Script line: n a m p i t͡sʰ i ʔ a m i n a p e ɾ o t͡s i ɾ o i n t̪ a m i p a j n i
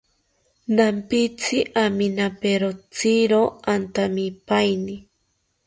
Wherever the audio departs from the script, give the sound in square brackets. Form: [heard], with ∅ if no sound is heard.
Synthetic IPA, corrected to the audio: n a m p i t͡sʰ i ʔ a m i n a p e ɾ o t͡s i ɾ o [a] n t̪ a m i p a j n i